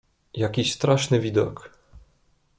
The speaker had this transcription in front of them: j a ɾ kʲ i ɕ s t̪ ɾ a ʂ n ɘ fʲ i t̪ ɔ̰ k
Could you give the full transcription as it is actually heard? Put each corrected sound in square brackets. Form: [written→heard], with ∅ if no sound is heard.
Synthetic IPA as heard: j a [ɾ→∅] kʲ i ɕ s t̪ ɾ a ʂ n ɘ [fʲ→vʲ] i [t̪→d̪] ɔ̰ k